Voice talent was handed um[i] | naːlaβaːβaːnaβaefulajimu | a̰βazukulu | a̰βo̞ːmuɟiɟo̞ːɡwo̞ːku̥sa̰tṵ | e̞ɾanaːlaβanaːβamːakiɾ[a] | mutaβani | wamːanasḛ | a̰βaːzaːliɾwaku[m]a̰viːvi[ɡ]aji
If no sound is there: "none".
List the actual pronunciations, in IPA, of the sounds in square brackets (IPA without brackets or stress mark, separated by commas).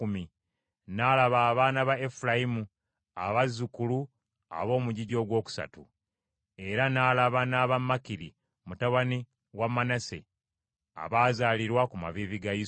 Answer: i, i, m, ɡ